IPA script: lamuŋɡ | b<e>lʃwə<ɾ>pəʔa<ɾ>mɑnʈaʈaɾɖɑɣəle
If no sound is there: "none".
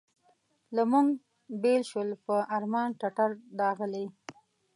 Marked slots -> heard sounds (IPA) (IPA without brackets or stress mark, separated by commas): e, l, ɾ